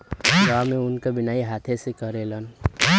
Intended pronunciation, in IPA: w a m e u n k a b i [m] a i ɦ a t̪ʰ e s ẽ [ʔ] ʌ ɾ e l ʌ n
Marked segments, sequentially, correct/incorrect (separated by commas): incorrect, incorrect